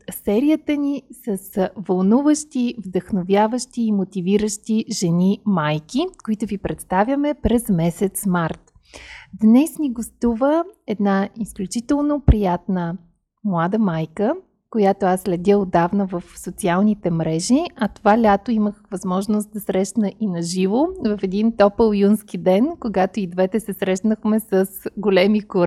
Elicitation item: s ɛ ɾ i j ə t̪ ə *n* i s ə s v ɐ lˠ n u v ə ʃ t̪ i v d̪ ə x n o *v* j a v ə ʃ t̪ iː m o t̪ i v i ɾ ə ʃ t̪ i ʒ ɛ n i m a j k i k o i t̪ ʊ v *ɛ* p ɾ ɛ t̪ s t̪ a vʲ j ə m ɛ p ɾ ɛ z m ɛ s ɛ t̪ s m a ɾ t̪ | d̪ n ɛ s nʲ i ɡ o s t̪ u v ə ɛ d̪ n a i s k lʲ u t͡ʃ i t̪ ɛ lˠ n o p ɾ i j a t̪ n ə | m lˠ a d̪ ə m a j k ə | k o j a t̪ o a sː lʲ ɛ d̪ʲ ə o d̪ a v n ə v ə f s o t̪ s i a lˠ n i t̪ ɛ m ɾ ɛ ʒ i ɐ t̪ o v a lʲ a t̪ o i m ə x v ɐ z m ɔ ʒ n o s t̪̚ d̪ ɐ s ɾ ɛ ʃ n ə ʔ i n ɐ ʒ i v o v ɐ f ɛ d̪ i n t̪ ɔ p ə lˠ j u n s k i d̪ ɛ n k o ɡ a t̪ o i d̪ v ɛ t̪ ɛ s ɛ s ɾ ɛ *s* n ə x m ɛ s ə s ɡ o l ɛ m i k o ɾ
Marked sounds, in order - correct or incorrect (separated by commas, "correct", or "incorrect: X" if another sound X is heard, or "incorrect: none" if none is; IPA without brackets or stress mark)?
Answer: correct, correct, incorrect: i, incorrect: ʃ